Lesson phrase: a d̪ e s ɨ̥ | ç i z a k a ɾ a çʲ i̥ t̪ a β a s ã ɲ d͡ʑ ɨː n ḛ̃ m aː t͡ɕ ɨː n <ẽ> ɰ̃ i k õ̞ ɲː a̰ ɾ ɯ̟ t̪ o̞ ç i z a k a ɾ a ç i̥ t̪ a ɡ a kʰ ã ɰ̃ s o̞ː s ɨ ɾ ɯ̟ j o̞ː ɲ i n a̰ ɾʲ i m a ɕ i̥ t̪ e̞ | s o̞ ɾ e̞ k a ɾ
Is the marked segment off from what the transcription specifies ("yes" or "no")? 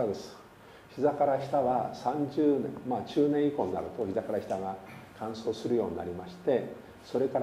no